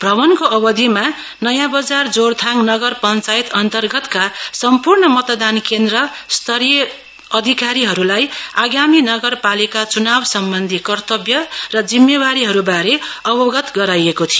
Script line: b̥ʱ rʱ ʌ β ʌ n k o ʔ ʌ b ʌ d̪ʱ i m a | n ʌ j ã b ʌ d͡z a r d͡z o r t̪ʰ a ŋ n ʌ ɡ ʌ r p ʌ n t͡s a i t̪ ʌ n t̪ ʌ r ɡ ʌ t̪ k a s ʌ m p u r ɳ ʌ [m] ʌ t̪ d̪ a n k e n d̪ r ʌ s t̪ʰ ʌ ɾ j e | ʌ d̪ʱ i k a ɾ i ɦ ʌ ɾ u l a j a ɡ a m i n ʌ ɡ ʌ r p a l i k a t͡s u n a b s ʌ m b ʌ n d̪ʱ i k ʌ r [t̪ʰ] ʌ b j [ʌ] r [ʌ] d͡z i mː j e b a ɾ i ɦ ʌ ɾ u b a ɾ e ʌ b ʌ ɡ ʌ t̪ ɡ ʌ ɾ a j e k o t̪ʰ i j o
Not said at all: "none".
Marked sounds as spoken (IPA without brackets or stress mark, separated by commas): m, t̪, ʌ, ʌ